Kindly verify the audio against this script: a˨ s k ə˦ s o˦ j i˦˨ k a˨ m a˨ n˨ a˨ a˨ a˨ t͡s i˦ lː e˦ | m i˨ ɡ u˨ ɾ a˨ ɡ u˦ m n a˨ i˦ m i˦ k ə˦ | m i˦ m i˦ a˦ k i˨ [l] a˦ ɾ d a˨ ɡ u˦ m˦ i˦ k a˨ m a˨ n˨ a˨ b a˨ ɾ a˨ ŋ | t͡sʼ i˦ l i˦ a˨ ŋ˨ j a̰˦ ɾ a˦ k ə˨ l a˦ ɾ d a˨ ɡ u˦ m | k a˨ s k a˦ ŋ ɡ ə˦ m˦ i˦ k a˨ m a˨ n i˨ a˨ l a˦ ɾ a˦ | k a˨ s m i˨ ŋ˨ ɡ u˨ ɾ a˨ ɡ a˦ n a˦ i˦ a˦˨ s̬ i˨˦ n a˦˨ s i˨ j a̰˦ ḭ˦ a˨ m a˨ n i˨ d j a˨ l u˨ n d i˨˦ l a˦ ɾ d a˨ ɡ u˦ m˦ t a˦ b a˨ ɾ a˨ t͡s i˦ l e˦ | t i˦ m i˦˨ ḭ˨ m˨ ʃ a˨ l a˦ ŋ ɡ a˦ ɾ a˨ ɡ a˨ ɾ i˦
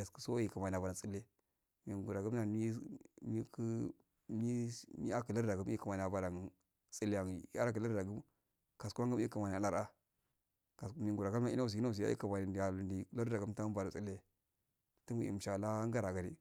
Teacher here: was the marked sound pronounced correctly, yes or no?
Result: yes